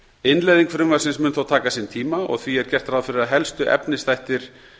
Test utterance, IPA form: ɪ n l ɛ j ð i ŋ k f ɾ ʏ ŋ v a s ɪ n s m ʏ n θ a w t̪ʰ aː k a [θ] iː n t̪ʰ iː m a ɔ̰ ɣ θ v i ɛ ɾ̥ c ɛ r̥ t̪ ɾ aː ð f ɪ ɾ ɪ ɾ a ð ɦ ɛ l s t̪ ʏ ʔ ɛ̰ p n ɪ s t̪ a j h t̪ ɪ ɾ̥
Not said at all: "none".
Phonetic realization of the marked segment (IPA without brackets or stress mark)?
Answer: s